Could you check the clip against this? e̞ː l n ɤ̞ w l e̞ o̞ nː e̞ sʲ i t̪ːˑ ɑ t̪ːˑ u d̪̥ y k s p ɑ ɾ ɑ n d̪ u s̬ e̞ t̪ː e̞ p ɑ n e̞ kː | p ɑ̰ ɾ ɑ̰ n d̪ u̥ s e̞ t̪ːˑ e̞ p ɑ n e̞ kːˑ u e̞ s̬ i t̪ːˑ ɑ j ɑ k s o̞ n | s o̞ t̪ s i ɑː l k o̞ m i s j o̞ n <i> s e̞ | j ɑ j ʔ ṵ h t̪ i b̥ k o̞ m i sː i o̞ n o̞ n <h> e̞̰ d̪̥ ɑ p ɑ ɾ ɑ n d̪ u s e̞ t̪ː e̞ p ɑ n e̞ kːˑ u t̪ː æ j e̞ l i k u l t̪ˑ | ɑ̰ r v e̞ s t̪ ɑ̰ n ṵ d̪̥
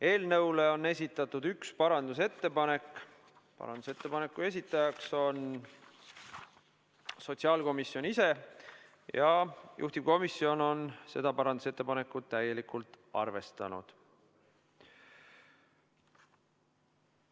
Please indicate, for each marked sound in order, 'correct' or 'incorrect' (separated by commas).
correct, incorrect